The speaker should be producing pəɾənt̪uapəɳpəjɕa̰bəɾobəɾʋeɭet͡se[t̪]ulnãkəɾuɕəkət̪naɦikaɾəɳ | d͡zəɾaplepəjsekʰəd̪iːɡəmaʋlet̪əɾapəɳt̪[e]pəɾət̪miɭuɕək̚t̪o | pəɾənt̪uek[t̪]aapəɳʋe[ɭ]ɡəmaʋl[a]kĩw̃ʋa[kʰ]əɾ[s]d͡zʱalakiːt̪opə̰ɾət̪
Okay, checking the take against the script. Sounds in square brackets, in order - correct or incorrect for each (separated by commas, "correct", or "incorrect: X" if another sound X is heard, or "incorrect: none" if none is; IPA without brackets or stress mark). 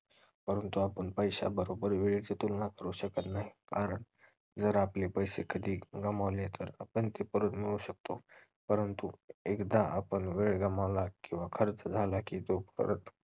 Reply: correct, correct, incorrect: d̪, correct, correct, correct, incorrect: t͡s